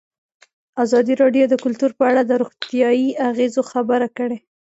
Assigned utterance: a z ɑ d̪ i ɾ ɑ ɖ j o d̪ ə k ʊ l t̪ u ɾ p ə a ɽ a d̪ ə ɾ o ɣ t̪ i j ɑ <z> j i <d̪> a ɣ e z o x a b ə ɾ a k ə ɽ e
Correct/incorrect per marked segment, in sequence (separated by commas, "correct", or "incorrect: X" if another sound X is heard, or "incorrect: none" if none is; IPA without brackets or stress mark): incorrect: none, incorrect: none